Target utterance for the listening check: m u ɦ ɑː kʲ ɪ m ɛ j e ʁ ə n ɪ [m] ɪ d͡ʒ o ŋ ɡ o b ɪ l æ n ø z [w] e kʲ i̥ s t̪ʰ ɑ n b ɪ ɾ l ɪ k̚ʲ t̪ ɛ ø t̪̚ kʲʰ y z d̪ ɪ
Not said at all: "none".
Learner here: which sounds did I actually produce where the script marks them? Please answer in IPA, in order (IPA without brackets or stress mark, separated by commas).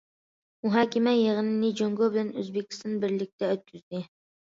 n, b